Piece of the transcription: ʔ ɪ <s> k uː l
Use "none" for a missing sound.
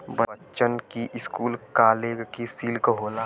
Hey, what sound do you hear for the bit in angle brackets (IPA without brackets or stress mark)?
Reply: s